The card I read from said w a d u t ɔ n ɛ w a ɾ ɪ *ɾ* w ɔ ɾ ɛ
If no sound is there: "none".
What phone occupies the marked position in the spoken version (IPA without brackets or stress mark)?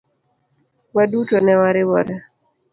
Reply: none